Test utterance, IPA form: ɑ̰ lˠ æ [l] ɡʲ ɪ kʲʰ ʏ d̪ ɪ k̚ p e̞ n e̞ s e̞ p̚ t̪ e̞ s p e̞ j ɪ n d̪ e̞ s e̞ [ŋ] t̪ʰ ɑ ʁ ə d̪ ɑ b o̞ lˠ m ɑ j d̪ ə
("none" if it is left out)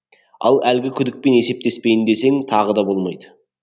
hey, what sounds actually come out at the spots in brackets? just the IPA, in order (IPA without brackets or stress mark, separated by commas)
l, ŋ